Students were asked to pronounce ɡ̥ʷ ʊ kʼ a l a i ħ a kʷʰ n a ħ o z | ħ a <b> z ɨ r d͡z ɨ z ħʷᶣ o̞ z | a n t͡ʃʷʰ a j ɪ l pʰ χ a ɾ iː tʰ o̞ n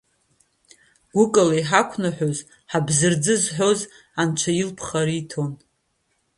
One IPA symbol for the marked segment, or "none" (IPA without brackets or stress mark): b